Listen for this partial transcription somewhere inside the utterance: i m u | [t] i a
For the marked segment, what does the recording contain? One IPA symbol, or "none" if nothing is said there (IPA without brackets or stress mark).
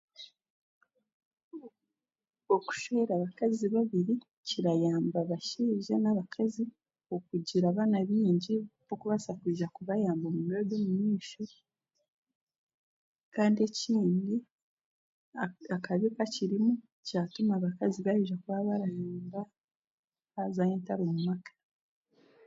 c